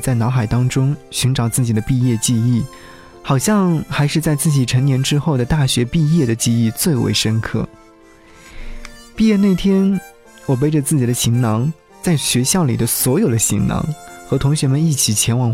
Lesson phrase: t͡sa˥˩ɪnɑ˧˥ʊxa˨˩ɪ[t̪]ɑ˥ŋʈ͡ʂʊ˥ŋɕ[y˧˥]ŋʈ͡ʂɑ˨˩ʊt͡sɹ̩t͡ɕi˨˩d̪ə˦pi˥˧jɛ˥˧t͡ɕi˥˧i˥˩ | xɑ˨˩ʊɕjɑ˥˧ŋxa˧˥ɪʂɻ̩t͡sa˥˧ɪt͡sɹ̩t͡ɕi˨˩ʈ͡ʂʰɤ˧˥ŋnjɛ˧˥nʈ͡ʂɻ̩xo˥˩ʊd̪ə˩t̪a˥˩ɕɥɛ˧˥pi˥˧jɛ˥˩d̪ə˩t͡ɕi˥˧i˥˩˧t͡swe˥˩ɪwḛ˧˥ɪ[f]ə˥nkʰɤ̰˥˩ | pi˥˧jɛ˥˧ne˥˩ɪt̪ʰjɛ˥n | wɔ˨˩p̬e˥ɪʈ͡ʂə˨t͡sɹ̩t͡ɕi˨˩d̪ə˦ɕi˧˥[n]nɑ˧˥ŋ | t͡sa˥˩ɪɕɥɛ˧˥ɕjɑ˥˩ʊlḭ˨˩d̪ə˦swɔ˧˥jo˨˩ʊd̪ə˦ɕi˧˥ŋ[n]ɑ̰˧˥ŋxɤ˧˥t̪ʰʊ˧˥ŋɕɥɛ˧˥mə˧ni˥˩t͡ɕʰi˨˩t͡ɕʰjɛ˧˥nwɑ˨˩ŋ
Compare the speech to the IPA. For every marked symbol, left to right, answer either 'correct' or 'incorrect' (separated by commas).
correct, correct, incorrect, incorrect, correct